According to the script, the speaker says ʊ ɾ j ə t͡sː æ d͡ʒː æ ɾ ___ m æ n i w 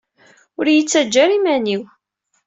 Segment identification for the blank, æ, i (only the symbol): i